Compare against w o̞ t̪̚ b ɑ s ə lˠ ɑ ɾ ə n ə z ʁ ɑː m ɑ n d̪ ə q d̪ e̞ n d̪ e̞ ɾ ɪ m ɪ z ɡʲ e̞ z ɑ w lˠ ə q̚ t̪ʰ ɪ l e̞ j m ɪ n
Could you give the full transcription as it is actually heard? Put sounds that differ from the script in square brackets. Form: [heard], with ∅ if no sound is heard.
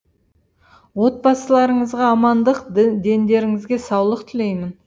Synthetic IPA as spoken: w o̞ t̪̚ b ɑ s ə lˠ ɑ ɾ ə [ɴ] ə z ʁ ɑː m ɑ n d̪ ə q d̪ e̞ n d̪ e̞ ɾ ɪ [ŋ] ɪ z ɡʲ e̞ [s] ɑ w lˠ ə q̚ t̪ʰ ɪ l e̞ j m ɪ n